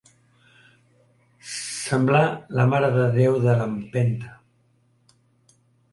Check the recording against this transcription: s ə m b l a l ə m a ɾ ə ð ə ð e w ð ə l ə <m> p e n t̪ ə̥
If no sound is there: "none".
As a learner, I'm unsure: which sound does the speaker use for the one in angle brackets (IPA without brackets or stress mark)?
m